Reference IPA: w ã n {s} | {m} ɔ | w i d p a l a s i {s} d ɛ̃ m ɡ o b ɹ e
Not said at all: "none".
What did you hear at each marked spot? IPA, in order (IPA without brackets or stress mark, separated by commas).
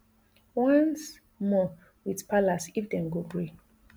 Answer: s, m, f